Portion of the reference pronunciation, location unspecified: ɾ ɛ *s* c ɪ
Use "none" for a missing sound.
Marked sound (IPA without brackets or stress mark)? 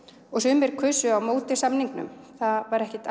h